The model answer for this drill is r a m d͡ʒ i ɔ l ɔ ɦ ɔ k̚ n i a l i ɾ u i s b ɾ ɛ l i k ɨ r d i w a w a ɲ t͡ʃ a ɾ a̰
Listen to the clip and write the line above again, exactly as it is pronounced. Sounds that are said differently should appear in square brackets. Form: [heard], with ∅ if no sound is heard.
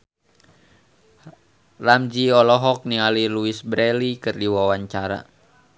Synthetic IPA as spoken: r a m d͡ʒ i ɔ l ɔ ɦ ɔ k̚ n i a l i [l] u i s b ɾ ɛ l i k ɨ r d i w a w a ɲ t͡ʃ a ɾ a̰

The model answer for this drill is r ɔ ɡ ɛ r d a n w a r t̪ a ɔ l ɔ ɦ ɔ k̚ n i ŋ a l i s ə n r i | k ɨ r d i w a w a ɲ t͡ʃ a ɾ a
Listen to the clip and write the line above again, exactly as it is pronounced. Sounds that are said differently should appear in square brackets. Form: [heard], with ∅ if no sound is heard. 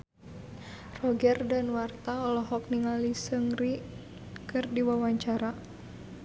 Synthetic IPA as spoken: r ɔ ɡ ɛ r d a n w a r t̪ a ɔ l ɔ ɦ ɔ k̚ n i ŋ a l i s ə [ŋ] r i | k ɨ r d i w a w a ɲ t͡ʃ a ɾ a

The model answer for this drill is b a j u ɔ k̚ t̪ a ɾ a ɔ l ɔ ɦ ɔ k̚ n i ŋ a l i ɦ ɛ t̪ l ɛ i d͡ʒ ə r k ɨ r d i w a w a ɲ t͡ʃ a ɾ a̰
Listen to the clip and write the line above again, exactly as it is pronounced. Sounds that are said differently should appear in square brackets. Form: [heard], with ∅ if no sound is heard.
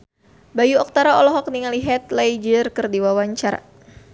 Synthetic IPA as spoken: b a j u ɔ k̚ t̪ a ɾ a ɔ l ɔ ɦ ɔ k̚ n i ŋ a l i ɦ ɛ t̪ l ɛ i d͡ʒ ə r k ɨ r d i w a w a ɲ t͡ʃ a ɾ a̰

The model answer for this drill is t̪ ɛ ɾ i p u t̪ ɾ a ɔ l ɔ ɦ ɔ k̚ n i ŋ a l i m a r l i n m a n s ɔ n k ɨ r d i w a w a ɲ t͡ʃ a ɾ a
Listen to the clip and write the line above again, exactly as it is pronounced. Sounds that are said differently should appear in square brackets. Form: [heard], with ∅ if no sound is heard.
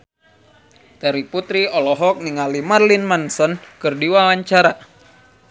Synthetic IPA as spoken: t̪ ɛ ɾ i p u t̪ ɾ [i] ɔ l ɔ ɦ ɔ k̚ n i ŋ a l i m a r l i n m a n s ɔ n k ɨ r d i w a w a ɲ t͡ʃ a ɾ a

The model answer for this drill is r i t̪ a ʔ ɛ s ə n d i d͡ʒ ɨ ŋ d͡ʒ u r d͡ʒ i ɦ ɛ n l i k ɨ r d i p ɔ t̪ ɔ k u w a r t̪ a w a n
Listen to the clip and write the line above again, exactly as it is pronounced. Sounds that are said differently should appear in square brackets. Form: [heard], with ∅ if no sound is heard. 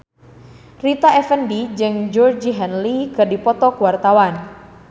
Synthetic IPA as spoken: r i t̪ a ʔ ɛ [f] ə n d i d͡ʒ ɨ ŋ d͡ʒ [ɔ] r d͡ʒ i ɦ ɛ n l i k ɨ r d i p ɔ t̪ ɔ k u w a r t̪ a w a n

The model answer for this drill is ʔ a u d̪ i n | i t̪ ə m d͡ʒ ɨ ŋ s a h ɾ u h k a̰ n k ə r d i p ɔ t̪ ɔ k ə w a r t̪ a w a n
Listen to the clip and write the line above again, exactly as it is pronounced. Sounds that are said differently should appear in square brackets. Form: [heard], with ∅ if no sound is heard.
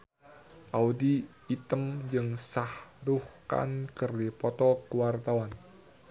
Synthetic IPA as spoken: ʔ a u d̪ i [∅] | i t̪ ə m d͡ʒ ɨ ŋ s a h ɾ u h k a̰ n k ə r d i p ɔ t̪ ɔ k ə w a r t̪ a w a n

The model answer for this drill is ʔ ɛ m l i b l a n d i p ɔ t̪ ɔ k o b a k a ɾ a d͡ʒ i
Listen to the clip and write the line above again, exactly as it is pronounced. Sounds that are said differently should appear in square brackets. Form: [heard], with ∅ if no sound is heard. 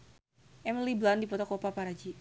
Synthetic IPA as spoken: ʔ ɛ m l i b l a n d i p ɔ t̪ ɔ k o [p] a [p] a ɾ a d͡ʒ i

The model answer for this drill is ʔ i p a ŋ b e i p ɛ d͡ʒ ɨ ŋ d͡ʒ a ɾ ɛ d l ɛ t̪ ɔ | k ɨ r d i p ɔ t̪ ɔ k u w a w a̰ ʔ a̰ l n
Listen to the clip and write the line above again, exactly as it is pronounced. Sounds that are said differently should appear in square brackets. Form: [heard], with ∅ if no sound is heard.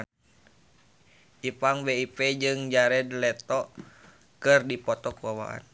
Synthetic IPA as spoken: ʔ i p a ŋ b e i p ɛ d͡ʒ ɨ ŋ d͡ʒ a ɾ ɛ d l ɛ t̪ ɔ | k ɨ r d i p ɔ t̪ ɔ k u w a w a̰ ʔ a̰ [∅] n

